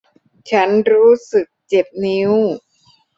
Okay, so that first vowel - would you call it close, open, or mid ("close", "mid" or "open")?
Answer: open